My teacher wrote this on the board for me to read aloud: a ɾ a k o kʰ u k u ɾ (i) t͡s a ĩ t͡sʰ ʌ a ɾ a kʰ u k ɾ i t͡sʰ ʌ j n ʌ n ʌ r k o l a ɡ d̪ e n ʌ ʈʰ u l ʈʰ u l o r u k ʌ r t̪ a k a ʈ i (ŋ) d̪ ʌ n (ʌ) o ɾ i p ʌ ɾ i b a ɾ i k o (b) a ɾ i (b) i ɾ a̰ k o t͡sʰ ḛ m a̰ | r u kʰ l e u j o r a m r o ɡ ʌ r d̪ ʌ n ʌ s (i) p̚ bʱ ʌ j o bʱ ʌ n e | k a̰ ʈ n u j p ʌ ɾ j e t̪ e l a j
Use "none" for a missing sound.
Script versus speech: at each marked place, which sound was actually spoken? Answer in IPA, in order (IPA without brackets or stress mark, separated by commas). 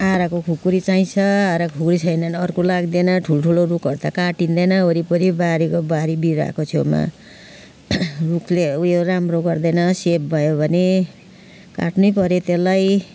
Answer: i, n, ʌ, b, b, e